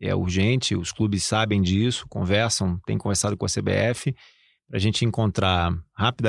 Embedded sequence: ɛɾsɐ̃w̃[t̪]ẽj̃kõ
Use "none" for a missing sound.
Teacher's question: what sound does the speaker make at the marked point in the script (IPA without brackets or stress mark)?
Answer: t̪